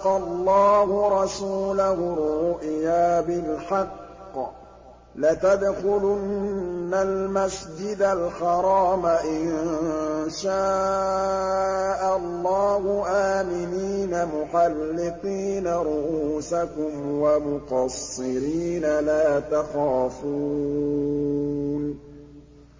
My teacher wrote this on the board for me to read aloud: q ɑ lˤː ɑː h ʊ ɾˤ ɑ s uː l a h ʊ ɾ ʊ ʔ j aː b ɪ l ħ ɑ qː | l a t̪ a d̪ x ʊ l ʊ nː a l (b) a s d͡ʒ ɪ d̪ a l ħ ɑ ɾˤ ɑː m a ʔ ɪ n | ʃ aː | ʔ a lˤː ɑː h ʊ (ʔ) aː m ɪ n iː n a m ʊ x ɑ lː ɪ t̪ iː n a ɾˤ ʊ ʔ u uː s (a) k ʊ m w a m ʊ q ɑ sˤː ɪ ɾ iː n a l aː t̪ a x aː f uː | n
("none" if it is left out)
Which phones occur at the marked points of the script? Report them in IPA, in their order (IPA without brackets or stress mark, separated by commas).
m, ʔ, a